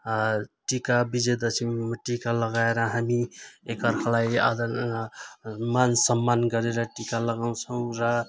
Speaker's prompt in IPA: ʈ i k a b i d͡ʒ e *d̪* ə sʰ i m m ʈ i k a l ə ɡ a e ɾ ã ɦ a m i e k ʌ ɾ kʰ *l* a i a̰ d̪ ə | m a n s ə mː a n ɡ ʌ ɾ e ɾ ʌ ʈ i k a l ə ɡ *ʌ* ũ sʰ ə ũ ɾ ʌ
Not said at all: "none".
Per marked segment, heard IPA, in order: d̪, l, a

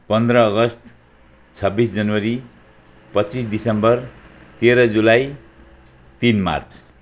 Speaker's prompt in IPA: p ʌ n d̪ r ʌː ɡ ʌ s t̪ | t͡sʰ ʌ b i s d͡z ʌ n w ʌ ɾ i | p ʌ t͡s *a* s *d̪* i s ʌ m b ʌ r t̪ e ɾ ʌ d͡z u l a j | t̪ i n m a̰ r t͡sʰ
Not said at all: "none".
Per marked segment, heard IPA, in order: i, d̪

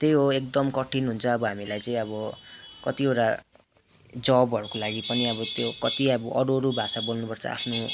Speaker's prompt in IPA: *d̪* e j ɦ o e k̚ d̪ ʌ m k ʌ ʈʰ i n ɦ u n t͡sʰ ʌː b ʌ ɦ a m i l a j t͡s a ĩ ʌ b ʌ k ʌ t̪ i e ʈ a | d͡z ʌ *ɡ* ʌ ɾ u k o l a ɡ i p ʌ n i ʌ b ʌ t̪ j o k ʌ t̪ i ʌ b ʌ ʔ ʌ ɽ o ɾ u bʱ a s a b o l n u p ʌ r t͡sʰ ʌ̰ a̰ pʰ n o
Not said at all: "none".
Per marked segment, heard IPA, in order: t̪, b

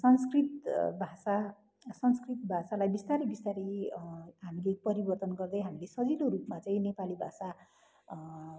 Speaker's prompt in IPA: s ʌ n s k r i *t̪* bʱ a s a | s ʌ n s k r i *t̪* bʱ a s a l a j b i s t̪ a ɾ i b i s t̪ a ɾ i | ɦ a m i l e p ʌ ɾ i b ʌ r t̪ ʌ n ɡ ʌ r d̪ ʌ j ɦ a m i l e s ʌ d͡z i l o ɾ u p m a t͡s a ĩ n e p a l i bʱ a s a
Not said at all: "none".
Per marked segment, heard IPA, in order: t̪, t̪

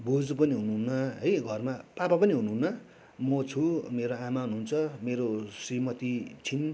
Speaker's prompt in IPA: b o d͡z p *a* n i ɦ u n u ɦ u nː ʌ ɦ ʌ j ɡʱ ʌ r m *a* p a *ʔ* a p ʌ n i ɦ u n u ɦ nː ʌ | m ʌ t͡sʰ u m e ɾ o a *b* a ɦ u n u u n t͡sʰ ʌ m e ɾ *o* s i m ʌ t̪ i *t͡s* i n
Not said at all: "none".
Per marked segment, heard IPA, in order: ʌ, a, p, m, o, t͡sʰ

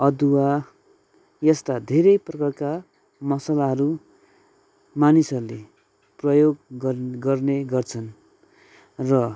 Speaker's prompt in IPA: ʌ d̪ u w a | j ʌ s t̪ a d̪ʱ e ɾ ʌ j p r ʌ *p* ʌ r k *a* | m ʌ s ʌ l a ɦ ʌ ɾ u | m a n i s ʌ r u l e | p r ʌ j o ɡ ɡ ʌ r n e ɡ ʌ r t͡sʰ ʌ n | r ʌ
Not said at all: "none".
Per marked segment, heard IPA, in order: k, a

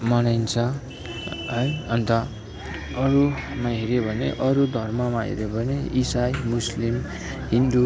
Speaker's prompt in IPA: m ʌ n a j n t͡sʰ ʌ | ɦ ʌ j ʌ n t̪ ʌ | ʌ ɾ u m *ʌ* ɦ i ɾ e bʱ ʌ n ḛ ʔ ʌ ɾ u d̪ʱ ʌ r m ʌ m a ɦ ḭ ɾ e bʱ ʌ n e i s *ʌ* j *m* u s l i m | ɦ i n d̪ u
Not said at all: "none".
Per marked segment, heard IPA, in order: a, a, m

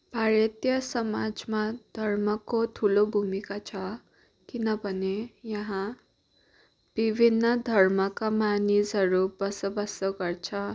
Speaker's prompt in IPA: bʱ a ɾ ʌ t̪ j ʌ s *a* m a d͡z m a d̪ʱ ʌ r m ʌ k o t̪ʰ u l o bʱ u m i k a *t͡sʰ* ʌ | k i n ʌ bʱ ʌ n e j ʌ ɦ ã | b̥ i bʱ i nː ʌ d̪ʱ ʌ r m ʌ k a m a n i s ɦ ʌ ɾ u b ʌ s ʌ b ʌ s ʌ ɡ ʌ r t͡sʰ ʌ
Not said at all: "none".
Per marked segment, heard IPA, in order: ʌ, t͡sʰ

